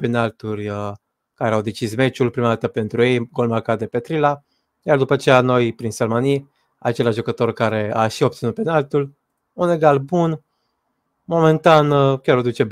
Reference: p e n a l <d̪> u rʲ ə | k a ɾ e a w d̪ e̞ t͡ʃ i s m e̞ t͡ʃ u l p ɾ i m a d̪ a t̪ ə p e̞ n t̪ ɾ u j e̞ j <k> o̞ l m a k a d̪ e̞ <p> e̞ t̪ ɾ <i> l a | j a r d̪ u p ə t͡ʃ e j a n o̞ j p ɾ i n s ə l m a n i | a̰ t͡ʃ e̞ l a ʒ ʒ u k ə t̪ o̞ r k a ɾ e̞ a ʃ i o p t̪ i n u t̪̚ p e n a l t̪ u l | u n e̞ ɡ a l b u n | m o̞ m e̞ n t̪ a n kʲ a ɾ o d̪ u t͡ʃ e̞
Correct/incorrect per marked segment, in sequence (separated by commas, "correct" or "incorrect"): incorrect, incorrect, correct, correct